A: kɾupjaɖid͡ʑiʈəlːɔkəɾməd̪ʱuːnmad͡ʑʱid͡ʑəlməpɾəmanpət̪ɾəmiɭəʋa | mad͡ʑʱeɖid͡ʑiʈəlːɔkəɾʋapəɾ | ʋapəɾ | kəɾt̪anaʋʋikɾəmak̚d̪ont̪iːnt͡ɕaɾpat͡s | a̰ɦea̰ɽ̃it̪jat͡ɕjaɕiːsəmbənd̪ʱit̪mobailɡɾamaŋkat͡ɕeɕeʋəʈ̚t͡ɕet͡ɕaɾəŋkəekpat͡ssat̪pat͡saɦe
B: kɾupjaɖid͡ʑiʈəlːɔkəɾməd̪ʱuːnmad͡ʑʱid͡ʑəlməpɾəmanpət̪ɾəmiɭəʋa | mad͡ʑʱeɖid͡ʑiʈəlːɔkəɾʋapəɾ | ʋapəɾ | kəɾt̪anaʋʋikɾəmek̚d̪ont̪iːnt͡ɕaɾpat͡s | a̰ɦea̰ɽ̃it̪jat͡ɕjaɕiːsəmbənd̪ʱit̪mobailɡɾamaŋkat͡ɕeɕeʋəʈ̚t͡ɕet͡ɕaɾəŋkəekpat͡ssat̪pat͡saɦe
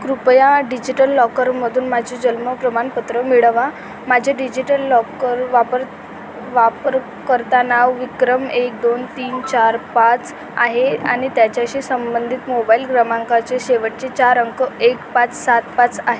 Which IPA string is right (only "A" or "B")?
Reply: B